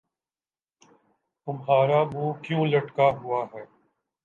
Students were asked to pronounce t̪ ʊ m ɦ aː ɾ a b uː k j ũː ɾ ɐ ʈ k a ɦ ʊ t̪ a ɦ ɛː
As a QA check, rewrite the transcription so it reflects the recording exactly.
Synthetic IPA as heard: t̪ ʊ m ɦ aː ɾ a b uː k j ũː l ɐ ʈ k a ɦ ʊ a ɦ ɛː